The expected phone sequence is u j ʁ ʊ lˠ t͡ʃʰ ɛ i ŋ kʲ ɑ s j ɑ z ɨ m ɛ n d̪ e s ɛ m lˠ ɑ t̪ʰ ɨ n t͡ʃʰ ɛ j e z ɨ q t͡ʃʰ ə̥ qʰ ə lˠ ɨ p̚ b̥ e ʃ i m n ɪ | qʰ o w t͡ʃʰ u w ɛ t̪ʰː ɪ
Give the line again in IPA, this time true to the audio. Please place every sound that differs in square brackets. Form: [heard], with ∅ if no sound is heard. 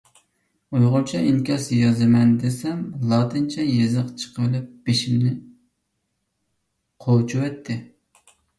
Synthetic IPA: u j ʁ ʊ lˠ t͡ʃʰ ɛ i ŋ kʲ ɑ s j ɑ z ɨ m ɛ n d̪ e s ɛ m lˠ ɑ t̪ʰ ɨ n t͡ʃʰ ɛ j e z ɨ q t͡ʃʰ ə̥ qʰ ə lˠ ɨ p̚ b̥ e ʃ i m n ɪ | qʰ o w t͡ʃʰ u w ɛ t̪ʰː ɪ